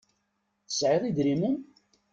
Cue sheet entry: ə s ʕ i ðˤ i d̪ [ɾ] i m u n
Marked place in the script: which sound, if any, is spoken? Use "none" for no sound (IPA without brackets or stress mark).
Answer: ɾ